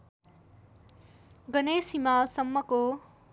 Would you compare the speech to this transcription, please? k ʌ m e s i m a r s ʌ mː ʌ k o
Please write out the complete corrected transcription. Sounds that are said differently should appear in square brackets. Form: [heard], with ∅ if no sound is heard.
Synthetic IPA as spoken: [ɡ] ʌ [n] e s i m a [l] s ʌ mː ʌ k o